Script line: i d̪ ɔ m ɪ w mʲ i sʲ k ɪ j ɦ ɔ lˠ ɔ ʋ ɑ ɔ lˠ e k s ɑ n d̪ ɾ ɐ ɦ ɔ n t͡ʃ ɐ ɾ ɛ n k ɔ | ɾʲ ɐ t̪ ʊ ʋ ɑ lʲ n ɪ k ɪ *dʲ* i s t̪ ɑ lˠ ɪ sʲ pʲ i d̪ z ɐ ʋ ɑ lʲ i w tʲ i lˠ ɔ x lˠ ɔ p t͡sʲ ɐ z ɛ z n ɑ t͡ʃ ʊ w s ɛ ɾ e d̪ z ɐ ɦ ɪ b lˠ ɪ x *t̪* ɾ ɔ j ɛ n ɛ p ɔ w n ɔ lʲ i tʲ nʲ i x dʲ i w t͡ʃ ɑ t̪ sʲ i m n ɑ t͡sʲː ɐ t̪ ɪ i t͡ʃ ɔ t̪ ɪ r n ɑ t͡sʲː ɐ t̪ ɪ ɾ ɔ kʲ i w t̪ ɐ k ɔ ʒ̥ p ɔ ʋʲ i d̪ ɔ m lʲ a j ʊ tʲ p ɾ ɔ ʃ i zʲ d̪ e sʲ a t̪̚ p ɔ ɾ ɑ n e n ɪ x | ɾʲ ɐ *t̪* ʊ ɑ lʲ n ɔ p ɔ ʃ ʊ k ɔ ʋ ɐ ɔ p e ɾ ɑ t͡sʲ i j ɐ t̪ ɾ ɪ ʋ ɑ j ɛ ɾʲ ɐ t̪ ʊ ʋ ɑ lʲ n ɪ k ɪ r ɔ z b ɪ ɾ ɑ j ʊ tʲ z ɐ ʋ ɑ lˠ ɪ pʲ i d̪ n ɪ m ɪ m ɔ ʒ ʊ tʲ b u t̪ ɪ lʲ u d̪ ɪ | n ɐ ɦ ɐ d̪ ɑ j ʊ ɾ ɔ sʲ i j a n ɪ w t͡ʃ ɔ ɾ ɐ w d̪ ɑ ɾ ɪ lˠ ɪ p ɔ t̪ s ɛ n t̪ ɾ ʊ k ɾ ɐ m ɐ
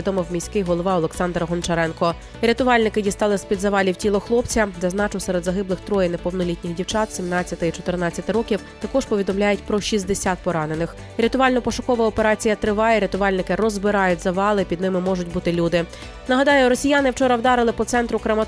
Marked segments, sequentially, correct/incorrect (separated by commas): correct, correct, correct